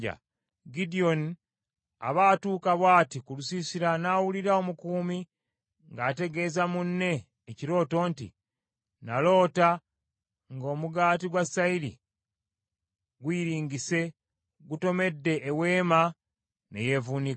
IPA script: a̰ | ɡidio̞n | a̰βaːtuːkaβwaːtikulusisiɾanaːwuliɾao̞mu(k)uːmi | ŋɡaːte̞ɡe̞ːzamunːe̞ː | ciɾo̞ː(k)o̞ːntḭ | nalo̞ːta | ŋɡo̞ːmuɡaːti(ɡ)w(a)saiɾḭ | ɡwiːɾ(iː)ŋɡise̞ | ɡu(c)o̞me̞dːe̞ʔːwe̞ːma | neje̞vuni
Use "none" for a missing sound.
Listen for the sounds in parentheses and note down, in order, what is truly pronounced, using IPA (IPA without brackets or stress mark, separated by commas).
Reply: k, t, ɡ, a, iː, t